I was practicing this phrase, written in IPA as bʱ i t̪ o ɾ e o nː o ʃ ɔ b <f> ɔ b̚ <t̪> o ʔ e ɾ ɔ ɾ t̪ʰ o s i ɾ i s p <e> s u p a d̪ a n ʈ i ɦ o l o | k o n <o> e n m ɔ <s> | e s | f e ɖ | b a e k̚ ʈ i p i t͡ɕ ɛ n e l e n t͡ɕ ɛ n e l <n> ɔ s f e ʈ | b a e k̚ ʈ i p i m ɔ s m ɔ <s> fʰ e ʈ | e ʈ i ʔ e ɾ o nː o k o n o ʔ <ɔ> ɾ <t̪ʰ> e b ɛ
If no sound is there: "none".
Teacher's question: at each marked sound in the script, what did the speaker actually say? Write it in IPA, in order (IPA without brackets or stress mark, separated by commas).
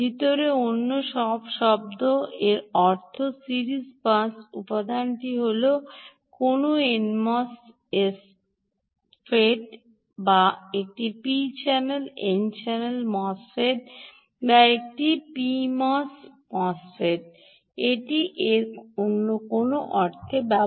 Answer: ʃ, d̪, a, o, s, m, s, ɔ, t̪ʰ